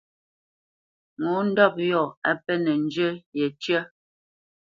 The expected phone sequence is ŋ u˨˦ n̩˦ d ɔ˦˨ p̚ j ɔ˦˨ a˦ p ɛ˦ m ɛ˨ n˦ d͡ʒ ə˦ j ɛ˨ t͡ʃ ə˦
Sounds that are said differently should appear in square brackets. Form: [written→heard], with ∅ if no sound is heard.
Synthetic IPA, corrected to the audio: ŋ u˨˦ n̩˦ d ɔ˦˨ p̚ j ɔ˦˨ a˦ p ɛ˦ [m→n] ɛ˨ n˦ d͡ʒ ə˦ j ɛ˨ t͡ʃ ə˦